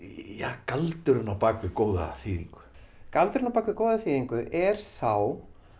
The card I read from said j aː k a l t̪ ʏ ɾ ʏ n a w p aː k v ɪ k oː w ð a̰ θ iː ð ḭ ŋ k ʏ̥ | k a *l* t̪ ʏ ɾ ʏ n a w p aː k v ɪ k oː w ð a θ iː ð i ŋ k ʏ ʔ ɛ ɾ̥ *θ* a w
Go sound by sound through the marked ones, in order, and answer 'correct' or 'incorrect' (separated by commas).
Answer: correct, incorrect